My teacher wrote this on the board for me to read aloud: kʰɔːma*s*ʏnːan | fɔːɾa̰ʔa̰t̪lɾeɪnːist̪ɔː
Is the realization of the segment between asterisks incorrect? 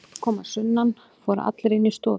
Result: no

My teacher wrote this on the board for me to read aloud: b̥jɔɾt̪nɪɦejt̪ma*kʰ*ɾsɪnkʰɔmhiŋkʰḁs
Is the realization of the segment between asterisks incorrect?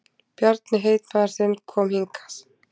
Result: yes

